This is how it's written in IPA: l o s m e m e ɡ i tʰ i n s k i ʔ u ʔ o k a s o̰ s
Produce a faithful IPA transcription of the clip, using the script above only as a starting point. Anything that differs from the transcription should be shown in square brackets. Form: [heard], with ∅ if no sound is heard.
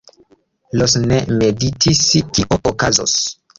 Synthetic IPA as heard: l o s [n] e m e [d] i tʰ i [∅] s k i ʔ [o] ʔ o k a [z] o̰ s